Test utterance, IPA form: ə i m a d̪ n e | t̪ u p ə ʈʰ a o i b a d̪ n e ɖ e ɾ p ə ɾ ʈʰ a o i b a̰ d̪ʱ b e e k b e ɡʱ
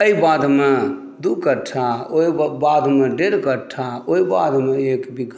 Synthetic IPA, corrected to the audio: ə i b a d̪ m e | d̪ u k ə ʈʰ a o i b a d̪ m e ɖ e ɾ k ə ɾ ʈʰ a o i b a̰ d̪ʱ m e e k b i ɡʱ